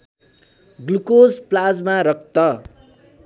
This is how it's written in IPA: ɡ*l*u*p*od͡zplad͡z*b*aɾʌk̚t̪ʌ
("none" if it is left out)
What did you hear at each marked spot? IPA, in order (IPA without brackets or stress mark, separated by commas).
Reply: l, k, m